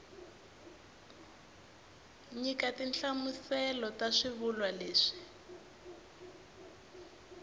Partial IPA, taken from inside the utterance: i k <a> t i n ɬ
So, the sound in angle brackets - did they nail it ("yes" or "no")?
yes